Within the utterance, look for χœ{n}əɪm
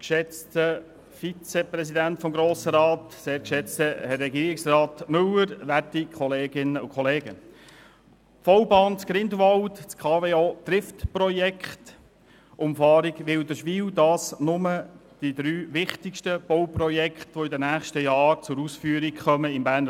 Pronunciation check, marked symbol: incorrect: m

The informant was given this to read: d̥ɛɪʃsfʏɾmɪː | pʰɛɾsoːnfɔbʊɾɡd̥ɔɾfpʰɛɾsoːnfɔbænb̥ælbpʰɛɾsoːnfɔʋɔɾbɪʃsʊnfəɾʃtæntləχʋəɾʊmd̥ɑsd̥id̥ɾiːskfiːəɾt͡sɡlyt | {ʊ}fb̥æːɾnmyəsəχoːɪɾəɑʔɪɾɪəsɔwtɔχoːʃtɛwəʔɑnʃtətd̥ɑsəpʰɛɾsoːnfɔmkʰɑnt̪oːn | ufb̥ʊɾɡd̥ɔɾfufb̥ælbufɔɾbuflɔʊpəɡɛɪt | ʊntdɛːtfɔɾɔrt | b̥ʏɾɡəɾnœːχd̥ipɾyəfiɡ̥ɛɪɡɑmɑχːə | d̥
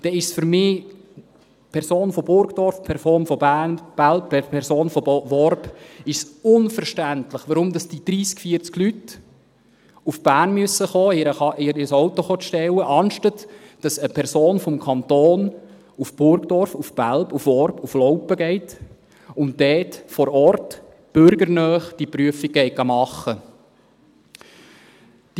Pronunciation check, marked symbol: incorrect: u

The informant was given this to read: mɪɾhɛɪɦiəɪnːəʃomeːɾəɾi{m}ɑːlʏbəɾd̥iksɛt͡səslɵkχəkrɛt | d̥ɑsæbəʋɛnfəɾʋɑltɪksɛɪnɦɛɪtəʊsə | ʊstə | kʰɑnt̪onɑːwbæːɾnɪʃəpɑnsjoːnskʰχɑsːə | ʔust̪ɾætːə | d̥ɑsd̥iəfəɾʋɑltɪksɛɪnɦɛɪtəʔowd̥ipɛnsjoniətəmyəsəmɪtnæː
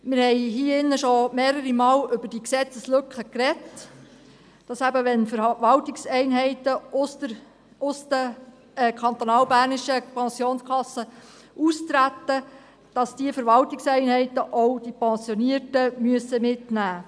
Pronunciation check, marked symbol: correct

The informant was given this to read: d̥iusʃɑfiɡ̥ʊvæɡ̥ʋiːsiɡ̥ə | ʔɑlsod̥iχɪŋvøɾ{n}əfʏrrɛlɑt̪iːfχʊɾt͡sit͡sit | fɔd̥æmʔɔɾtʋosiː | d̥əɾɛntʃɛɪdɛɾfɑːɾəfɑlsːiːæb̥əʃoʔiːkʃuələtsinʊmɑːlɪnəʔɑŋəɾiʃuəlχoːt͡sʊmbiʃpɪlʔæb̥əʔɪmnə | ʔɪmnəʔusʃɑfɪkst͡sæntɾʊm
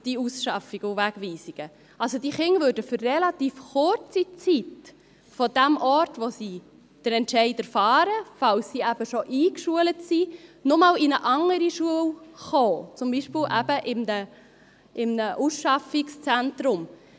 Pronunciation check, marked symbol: incorrect: d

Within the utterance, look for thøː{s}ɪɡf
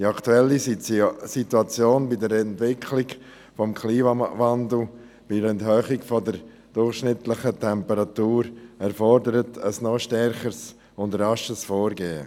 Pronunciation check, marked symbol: incorrect: χ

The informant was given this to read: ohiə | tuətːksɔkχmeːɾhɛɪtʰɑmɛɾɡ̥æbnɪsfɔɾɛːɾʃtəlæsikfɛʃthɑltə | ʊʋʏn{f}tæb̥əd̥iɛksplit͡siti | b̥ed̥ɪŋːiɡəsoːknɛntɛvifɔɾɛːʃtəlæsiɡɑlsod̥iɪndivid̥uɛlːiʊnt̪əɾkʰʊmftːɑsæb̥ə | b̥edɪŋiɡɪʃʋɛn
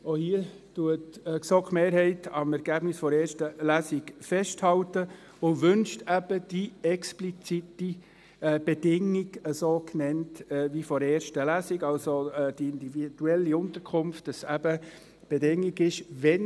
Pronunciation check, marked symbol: incorrect: ʃ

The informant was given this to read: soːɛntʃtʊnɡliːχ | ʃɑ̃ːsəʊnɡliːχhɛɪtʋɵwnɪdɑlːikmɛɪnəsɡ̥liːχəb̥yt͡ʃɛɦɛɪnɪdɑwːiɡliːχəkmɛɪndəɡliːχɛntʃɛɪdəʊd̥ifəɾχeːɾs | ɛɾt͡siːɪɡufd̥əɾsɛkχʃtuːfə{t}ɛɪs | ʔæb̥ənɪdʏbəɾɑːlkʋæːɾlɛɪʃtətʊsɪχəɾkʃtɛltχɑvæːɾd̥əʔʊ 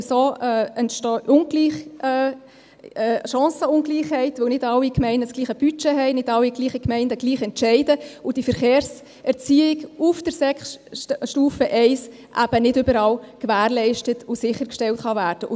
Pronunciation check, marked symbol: incorrect: ʔ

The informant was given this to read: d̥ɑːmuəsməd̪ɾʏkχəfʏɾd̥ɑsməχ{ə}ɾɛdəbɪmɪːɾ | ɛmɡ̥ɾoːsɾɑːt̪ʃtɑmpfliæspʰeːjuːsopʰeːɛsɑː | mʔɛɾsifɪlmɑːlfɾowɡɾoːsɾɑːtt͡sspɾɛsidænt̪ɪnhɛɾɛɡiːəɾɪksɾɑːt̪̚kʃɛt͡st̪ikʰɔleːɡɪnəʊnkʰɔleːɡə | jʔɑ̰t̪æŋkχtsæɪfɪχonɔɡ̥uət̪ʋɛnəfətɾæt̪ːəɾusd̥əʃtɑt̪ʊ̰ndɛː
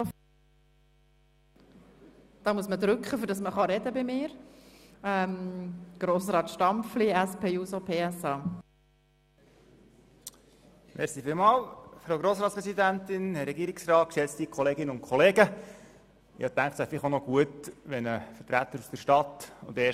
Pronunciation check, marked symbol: incorrect: ɑ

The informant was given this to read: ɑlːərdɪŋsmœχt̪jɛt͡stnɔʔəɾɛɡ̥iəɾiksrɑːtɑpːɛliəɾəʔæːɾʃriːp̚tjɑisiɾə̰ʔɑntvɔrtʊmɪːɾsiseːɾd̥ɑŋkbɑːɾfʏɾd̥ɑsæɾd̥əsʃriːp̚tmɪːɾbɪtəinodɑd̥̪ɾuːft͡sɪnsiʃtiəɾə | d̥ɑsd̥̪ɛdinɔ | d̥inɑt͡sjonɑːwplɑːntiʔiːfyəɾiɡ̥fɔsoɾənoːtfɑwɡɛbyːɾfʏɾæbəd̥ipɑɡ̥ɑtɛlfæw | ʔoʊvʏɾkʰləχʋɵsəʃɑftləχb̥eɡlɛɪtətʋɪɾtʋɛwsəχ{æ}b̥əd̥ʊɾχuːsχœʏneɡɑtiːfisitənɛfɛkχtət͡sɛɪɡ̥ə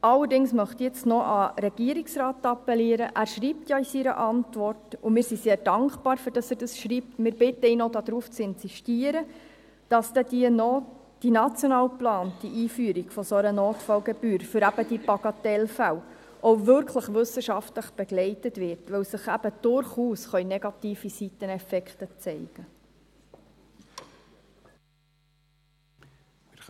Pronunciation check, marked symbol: correct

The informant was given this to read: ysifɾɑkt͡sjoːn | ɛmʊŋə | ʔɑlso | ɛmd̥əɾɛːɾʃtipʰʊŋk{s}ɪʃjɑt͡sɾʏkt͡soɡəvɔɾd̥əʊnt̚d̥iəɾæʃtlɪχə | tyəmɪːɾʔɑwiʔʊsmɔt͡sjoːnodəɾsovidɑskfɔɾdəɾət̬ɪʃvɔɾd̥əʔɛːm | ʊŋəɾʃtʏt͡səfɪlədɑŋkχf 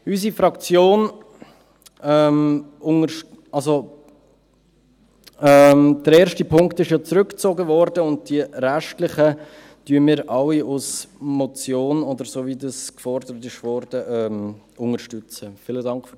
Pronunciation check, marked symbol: incorrect: t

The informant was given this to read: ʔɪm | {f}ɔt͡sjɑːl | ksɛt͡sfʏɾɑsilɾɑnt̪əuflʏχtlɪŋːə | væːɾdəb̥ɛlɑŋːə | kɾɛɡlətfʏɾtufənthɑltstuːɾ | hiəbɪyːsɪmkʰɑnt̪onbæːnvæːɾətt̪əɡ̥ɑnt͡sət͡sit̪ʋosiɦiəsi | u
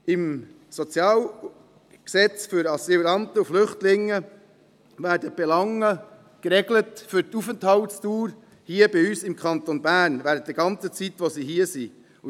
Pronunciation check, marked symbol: incorrect: s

